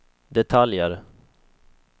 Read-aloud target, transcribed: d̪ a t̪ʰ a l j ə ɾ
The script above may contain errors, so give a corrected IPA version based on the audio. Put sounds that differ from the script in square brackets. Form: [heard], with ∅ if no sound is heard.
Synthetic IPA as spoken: d̪ [ɛ] t̪ʰ a l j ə ɾ